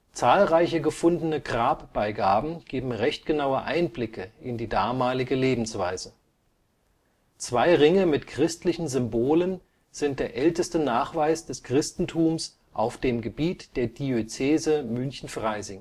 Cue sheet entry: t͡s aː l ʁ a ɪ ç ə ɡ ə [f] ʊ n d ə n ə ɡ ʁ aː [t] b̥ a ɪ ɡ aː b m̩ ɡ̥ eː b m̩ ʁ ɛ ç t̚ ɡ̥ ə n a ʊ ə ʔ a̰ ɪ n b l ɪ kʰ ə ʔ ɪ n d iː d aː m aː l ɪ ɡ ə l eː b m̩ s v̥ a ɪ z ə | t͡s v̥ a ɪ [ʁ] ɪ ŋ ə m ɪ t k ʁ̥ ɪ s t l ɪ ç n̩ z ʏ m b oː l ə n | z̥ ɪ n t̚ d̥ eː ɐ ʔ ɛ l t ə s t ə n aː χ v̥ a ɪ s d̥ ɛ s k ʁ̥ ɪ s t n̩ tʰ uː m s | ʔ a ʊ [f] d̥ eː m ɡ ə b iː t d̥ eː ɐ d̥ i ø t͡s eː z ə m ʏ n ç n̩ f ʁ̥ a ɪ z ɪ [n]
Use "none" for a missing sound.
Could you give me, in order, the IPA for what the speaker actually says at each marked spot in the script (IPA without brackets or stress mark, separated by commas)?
f, p, ʁ, f, ŋ